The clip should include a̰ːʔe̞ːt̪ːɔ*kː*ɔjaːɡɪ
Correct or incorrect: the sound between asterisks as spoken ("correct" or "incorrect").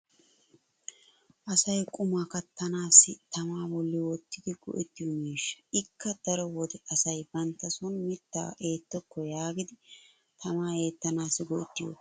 correct